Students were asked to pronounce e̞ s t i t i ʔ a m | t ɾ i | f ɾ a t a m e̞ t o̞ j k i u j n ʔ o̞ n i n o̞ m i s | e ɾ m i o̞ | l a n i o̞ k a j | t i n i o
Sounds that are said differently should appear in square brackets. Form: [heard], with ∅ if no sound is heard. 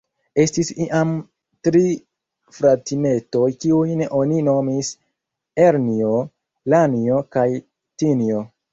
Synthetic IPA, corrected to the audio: e̞ s t i [s] i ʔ a m | t ɾ i | f ɾ a t [i] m e̞ t o̞ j k i u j n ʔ o̞ n i n o̞ m i s | e ɾ [n] i o̞ | l a n i o̞ k a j | t i n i o